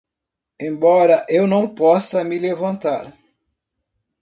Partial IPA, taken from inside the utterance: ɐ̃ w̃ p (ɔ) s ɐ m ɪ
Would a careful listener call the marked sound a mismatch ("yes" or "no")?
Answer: no